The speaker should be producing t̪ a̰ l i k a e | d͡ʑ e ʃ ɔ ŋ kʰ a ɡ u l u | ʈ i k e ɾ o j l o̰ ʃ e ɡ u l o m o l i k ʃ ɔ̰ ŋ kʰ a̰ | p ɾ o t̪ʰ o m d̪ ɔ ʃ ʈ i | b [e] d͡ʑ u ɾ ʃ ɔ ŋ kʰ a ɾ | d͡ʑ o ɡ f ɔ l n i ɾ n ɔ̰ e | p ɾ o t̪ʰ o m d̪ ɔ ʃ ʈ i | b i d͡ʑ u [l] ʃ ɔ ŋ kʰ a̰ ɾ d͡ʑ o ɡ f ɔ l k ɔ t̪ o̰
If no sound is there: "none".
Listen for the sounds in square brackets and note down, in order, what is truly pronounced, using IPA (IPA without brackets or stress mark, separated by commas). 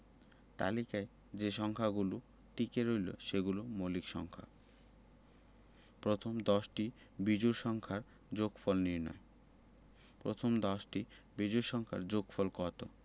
i, ɾ